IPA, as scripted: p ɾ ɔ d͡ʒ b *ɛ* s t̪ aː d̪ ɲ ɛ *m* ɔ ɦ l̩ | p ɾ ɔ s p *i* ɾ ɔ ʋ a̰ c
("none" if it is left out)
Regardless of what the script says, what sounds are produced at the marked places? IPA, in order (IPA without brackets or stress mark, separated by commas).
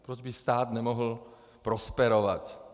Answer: i, m, ɛ